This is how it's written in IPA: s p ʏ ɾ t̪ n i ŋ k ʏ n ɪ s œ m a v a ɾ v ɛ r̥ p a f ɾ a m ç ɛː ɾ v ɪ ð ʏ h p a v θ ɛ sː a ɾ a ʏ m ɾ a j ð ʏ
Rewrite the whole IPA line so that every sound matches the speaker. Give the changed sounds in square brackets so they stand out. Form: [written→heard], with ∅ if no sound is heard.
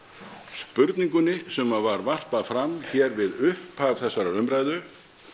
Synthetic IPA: s p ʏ ɾ t̪ n i ŋ k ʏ n ɪ s [œ→ɛ] m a v a ɾ v [ɛ→a] r̥ p a f ɾ a m ç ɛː ɾ v ɪ ð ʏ h p a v θ ɛ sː a ɾ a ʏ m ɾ a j ð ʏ